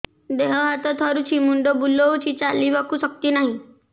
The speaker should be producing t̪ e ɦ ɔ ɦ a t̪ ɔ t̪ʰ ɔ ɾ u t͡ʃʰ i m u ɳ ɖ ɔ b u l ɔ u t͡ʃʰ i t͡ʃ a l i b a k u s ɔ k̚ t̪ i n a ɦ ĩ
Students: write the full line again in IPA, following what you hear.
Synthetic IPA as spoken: d̪ e ɦ ɔ ɦ a t̪ ɔ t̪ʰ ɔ ɾ u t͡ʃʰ i m u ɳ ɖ ɔ b u l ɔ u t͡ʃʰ i t͡ʃ a l i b a k u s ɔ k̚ t̪ i n a ɦ ĩ